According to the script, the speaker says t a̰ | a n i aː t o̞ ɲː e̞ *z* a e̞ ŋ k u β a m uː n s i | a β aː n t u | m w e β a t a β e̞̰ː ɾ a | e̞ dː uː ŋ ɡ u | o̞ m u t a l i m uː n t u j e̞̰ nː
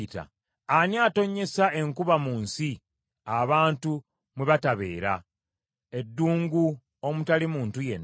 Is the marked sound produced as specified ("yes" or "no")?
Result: no